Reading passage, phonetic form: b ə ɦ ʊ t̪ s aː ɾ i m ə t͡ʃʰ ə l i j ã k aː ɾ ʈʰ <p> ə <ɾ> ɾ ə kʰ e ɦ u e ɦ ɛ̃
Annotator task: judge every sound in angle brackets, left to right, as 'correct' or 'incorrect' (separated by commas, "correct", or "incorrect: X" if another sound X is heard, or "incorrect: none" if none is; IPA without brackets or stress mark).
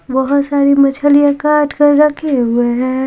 incorrect: k, correct